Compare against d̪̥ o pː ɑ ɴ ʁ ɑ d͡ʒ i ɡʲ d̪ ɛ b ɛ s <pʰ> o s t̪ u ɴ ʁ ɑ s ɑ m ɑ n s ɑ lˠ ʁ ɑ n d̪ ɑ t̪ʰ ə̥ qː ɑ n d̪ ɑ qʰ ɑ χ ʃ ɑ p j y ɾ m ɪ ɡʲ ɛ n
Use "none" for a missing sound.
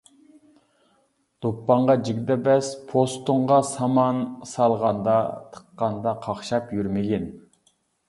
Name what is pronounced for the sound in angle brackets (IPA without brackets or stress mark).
pʰ